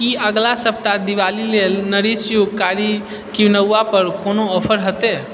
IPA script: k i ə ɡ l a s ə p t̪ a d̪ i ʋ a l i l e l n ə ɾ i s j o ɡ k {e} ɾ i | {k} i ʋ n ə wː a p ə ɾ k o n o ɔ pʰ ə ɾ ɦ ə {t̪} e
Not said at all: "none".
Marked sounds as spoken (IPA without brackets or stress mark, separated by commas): a, k, t̪